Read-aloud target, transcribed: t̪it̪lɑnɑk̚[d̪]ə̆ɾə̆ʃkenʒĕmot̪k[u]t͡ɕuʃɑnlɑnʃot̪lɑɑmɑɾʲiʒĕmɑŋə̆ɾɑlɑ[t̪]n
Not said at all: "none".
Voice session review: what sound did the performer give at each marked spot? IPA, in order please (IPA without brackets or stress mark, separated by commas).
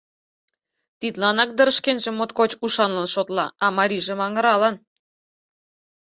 d̪, o, none